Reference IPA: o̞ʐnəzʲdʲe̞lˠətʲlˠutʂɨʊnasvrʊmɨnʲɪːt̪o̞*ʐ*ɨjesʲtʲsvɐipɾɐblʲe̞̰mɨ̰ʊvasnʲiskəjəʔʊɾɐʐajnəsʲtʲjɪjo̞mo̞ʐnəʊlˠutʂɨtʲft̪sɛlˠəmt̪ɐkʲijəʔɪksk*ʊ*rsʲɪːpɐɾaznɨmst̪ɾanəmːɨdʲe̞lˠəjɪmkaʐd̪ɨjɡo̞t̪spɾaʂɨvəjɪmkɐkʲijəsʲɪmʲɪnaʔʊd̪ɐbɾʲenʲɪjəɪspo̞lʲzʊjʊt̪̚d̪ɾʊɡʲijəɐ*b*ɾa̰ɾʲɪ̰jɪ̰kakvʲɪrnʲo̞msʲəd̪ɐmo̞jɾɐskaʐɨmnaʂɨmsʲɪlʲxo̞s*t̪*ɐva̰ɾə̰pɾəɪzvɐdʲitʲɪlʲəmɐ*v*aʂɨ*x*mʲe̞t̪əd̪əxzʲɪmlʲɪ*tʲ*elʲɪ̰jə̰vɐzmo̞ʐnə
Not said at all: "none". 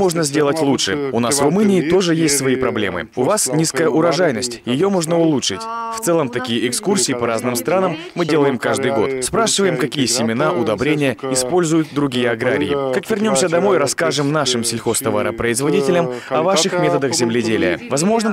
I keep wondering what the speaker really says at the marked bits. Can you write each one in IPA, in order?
ʐ, u, ɡ, t̪, v, x, dʲ

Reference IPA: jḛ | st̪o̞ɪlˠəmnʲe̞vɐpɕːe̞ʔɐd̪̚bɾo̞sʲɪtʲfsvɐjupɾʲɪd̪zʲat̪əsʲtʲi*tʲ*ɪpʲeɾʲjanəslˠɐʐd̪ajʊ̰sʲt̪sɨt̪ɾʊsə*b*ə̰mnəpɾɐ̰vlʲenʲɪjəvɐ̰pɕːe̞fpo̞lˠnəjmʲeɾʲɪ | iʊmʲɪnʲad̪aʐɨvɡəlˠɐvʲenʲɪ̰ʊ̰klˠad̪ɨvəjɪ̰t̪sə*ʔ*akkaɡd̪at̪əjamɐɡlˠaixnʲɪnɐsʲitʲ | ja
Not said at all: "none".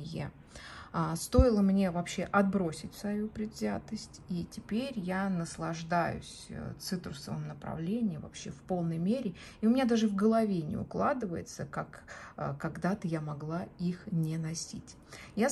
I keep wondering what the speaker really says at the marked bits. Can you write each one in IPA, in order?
tʲ, v, k

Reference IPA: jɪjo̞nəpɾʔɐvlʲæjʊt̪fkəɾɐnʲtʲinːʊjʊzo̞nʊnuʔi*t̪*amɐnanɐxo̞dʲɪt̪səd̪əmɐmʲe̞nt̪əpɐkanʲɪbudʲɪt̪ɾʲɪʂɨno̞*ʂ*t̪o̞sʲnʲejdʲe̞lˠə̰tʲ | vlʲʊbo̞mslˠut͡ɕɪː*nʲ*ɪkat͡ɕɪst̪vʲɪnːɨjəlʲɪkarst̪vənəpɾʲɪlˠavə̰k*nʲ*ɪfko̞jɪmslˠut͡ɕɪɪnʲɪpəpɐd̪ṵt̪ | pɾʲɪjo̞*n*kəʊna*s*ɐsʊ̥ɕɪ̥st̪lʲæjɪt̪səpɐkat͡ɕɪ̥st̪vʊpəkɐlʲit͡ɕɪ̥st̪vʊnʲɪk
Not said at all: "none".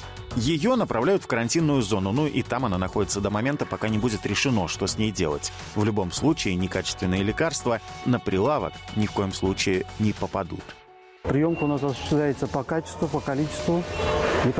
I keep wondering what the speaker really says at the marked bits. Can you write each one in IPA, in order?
t̪, ʂ, nʲ, nʲ, m, s

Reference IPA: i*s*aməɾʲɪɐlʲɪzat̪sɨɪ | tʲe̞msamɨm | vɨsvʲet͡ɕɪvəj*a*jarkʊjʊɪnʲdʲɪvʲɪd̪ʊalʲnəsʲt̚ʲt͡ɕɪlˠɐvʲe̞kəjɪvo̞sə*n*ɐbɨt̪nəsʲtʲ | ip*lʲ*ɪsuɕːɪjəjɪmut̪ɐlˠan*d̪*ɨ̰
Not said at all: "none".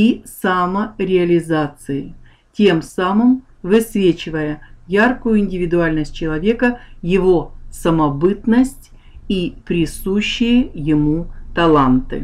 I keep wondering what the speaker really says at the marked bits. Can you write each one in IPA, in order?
s, ə, m, ɾʲ, t̪

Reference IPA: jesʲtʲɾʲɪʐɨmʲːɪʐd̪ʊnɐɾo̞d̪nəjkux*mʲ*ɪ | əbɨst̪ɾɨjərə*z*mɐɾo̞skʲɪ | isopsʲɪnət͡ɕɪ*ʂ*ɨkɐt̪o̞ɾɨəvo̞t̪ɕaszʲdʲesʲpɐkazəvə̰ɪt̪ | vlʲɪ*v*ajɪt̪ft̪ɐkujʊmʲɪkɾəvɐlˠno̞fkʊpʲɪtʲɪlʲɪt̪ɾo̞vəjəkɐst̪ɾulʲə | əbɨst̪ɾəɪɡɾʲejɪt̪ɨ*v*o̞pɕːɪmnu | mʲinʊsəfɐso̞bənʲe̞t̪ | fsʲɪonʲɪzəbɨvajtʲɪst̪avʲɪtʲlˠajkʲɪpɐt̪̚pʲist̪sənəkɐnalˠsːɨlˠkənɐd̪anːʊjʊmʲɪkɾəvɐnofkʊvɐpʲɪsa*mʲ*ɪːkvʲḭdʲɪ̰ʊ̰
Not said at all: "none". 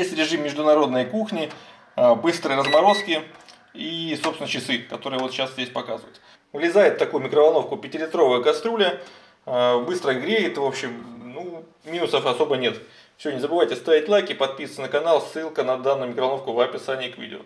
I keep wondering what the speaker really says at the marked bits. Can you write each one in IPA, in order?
nʲ, z, s, z, v, nʲ

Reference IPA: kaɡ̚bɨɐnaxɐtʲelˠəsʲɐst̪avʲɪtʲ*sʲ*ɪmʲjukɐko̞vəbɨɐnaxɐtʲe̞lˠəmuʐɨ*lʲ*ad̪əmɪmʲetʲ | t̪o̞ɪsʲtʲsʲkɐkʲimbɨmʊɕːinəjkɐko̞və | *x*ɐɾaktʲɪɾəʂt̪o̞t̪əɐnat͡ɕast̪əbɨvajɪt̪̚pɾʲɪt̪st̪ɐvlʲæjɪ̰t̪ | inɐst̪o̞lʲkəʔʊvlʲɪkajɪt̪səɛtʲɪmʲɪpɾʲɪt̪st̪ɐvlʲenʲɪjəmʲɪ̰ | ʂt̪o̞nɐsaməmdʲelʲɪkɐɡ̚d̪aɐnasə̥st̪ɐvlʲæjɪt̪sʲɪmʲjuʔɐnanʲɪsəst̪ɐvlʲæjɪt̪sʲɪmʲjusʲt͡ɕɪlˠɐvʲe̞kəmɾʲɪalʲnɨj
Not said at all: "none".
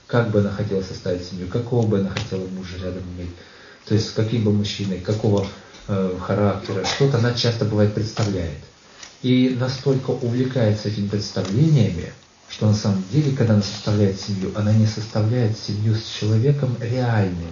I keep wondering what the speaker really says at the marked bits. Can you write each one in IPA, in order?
sʲ, ɾʲ, x

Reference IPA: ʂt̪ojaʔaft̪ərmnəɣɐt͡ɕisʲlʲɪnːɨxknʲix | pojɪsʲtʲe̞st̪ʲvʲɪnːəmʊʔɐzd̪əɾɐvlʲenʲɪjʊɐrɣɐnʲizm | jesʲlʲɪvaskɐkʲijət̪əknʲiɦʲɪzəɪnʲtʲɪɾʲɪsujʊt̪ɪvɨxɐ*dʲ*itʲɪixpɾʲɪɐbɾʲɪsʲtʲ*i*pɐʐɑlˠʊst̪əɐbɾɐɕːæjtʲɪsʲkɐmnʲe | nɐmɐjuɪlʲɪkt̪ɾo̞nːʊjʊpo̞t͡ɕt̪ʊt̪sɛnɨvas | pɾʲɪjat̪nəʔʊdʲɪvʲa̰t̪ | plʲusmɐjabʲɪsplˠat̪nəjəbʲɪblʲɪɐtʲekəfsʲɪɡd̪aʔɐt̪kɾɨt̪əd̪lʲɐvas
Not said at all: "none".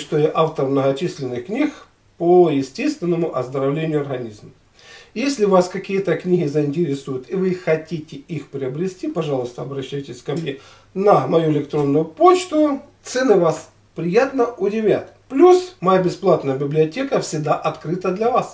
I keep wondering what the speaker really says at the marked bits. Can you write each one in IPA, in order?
tʲ, i

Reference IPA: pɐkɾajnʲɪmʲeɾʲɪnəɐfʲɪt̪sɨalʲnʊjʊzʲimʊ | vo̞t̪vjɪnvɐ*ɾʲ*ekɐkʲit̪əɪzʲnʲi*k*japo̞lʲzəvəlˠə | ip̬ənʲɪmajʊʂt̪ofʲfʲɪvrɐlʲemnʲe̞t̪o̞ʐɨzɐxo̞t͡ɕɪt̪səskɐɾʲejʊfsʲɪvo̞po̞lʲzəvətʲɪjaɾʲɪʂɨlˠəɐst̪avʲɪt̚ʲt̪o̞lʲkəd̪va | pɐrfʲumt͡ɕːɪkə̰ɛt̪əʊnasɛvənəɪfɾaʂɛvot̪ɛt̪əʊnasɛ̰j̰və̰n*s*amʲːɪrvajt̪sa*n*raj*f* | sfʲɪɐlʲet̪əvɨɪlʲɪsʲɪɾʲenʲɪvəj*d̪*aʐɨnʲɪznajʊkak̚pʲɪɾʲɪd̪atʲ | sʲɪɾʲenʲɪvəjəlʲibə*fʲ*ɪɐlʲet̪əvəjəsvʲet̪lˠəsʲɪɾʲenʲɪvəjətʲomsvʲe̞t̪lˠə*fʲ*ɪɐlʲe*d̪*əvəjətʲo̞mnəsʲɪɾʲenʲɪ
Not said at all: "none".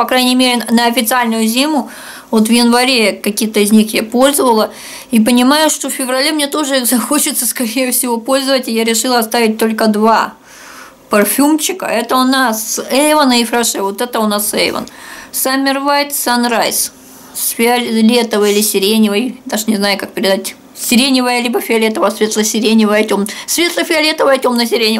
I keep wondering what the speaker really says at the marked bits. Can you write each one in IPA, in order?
ɾʲ, x, s, n, s, d̪, fʲ, fʲ, t̪

